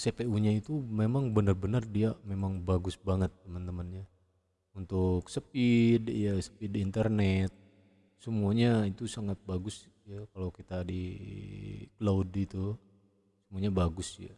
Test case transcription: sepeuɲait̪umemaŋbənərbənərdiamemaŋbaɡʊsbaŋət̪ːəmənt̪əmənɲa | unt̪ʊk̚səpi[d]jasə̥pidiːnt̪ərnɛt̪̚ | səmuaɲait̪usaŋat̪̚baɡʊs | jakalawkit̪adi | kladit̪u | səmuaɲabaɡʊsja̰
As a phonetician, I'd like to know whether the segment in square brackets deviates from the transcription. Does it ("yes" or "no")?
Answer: no